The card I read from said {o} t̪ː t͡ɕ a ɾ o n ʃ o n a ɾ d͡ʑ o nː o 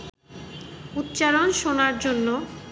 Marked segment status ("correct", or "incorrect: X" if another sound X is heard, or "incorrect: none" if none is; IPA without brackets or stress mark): incorrect: u